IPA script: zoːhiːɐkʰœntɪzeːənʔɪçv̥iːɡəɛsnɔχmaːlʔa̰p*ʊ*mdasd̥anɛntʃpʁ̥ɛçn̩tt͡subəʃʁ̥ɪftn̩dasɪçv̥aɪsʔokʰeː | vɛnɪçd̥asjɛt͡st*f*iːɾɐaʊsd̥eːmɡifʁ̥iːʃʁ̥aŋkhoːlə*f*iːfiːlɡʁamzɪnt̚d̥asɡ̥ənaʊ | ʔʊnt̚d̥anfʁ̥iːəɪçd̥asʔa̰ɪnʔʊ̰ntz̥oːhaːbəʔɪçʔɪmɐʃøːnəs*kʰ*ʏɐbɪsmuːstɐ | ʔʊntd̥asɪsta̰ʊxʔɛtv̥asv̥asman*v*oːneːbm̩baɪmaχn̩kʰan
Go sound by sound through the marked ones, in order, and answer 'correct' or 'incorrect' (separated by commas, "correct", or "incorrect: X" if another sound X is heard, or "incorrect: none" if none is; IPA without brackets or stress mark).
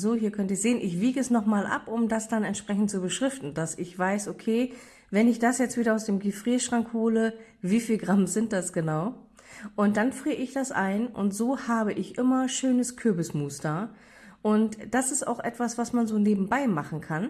correct, incorrect: v, incorrect: v, correct, incorrect: z